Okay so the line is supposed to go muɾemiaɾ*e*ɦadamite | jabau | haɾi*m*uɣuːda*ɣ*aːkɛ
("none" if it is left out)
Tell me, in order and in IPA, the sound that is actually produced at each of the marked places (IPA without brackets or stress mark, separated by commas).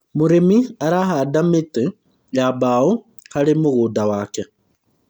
a, m, w